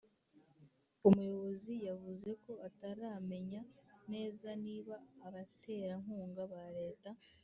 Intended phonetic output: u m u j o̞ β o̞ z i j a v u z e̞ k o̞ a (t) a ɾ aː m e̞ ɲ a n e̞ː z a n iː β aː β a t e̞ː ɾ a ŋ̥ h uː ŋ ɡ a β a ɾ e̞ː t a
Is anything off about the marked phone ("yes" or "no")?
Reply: no